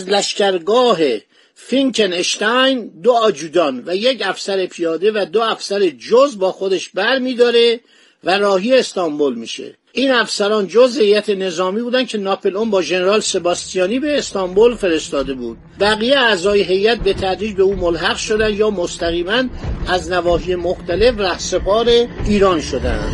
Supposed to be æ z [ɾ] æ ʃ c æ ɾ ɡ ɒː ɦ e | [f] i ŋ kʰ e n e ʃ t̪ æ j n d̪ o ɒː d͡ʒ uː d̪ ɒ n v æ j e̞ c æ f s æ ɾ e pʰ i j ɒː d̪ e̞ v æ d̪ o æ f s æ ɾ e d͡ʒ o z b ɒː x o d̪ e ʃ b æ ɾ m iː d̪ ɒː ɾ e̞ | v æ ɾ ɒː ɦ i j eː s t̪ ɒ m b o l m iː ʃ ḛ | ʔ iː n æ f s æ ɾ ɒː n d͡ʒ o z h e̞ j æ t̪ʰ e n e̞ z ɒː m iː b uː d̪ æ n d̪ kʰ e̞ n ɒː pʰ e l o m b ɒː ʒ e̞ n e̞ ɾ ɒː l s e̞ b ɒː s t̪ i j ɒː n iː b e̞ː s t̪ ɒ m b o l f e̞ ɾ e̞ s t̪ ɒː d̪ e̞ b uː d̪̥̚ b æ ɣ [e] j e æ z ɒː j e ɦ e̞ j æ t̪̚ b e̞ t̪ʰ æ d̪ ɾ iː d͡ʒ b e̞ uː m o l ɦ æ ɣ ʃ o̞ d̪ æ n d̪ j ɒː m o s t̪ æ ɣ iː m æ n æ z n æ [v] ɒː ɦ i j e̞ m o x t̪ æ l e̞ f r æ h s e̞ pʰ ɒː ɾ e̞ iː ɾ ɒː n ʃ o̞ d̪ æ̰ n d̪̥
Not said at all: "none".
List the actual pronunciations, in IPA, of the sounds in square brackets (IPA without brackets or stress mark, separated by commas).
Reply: l, f, i, v